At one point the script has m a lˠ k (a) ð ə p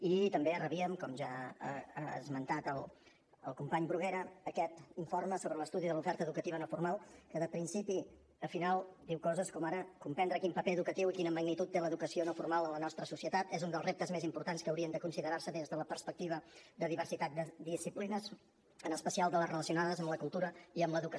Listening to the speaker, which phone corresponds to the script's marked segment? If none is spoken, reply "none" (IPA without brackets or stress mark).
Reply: ə